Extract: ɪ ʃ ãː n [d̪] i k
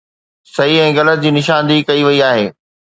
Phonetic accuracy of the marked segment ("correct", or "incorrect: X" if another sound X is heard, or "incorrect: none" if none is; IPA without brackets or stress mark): correct